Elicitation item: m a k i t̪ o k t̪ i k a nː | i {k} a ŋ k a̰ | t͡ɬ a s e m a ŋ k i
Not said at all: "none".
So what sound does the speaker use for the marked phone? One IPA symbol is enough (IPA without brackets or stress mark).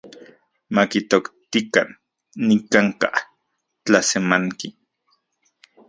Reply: k